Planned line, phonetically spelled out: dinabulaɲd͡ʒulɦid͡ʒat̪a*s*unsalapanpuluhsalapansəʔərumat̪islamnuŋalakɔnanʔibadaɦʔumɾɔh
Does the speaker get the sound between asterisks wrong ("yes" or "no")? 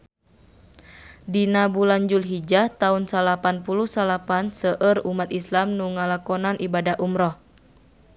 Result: yes